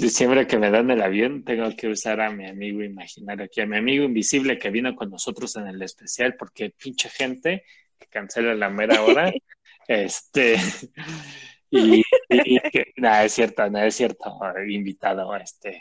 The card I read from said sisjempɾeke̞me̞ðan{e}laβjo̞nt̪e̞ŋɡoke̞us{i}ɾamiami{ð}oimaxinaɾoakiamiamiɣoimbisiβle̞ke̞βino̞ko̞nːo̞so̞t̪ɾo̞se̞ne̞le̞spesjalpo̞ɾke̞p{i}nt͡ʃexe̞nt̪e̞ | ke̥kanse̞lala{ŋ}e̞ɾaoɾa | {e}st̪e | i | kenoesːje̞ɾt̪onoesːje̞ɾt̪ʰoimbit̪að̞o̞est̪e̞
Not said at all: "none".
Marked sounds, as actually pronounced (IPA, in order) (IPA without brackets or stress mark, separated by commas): e, a, ɣ, i, m, e